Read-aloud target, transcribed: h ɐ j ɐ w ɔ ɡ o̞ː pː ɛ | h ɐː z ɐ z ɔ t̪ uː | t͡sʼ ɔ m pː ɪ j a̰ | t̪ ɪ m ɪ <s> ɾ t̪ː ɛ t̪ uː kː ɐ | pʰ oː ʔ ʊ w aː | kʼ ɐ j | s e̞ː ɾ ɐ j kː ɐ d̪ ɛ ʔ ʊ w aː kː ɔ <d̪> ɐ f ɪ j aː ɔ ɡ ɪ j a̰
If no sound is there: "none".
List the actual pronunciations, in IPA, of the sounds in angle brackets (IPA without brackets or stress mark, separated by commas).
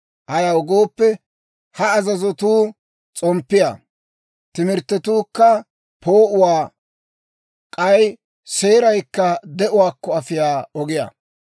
none, none